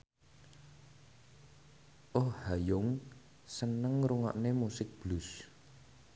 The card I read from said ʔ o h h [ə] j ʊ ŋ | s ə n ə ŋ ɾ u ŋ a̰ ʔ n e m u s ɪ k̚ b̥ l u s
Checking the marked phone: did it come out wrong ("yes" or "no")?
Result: yes